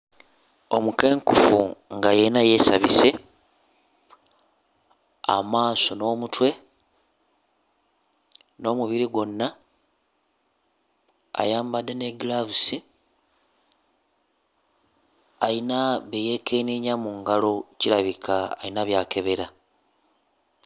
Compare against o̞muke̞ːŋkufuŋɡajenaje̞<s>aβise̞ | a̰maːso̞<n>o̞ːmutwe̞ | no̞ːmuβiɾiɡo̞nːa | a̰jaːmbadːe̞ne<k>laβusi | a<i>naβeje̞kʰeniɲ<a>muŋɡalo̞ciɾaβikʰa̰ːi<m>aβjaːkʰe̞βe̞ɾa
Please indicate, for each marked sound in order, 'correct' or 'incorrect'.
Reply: correct, correct, incorrect, correct, correct, incorrect

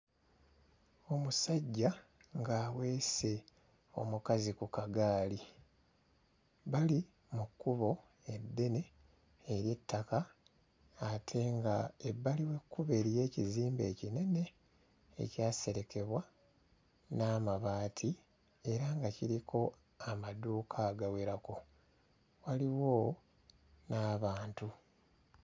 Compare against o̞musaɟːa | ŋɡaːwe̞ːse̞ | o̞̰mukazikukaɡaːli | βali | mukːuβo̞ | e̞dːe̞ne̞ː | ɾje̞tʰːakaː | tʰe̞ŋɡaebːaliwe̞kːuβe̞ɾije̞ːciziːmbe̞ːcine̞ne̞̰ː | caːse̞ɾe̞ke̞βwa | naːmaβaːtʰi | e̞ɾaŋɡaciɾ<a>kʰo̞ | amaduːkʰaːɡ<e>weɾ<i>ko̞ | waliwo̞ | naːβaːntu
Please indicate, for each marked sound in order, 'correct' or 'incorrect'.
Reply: incorrect, incorrect, incorrect

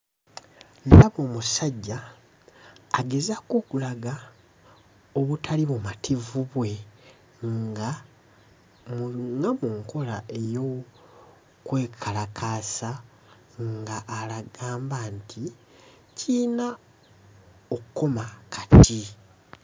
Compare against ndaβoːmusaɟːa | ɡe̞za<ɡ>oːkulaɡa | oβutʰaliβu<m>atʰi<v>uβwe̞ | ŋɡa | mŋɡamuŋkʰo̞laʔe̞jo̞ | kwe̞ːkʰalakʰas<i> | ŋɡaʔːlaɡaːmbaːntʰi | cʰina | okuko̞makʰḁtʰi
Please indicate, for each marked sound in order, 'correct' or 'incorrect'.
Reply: incorrect, correct, correct, incorrect

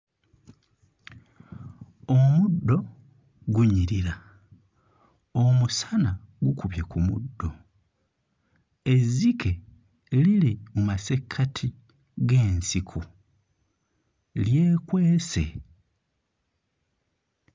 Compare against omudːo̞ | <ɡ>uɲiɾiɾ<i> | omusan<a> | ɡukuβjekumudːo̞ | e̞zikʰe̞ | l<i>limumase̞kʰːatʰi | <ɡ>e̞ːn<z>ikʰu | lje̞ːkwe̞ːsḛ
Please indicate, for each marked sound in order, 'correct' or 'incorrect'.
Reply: correct, incorrect, correct, correct, correct, incorrect

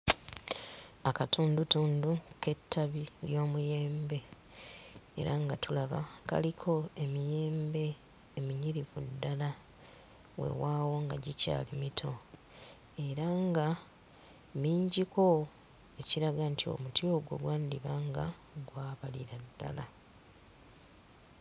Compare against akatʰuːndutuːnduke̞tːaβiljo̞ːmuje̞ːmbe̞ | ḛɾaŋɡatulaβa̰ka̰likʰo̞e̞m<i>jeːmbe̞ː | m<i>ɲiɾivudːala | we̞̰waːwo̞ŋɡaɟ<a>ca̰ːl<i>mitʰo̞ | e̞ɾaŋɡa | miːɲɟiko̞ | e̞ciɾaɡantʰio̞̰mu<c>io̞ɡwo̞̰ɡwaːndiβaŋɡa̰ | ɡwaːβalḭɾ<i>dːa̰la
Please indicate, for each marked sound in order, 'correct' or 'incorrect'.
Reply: correct, correct, incorrect, correct, incorrect, incorrect

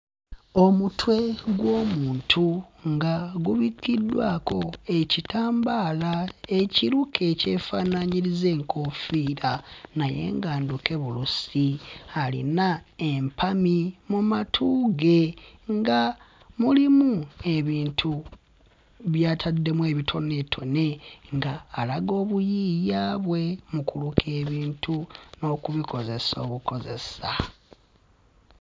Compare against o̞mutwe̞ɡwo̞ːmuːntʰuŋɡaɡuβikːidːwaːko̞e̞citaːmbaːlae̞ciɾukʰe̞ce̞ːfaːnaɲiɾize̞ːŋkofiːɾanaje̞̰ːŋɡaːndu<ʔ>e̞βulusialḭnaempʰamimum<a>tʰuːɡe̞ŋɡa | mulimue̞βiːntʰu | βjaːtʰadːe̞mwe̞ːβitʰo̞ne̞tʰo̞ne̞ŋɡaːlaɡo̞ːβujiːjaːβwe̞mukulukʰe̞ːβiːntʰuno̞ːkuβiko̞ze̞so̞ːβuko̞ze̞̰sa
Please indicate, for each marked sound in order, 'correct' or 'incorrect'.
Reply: incorrect, correct

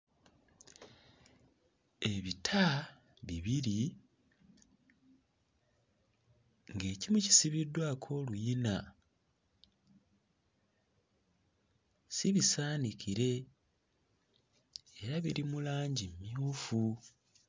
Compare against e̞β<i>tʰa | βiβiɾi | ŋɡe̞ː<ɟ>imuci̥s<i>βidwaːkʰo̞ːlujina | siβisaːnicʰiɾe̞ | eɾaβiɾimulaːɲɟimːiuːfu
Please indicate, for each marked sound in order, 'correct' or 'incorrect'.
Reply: correct, incorrect, correct

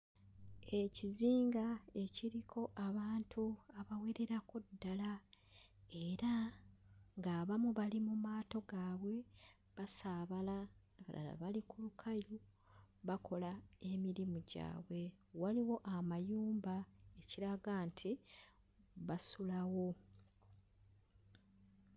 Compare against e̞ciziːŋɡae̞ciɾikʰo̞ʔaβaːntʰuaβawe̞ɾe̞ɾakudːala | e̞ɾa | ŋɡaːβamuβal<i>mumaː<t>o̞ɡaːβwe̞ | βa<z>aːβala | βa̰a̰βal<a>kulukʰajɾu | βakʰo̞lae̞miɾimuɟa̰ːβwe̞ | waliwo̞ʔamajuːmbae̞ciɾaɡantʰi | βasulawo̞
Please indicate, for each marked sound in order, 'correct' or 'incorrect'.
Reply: correct, correct, incorrect, incorrect

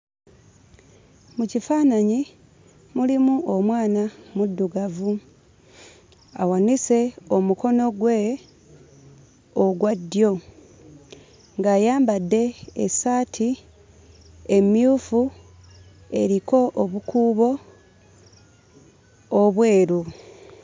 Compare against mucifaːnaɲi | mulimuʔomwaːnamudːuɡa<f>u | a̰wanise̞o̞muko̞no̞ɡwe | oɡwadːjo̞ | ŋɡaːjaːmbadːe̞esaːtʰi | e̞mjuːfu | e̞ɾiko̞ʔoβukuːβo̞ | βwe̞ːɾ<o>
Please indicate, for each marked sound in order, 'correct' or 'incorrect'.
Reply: incorrect, incorrect

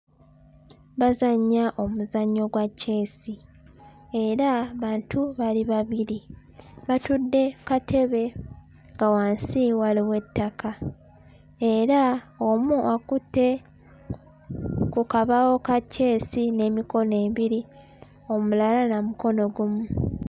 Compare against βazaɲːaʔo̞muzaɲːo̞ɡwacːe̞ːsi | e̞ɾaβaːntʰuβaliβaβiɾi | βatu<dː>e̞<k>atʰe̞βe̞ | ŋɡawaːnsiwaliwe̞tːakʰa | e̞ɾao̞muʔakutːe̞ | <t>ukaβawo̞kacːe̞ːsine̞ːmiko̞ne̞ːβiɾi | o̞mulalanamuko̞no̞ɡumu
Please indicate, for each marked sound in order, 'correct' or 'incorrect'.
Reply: correct, correct, incorrect

